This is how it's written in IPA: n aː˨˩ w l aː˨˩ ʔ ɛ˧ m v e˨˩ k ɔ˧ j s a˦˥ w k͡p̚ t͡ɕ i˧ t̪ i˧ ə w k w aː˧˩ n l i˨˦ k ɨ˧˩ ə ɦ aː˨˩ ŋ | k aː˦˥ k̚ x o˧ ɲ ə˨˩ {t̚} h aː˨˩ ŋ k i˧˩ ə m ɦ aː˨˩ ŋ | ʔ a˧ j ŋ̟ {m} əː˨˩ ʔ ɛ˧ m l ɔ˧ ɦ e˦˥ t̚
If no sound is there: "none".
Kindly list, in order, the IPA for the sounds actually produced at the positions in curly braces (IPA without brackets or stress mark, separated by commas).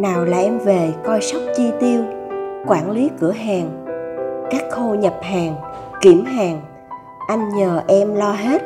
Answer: p̚, ɲ